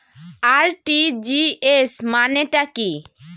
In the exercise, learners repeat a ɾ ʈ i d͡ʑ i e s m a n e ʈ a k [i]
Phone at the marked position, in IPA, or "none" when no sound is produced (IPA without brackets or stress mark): i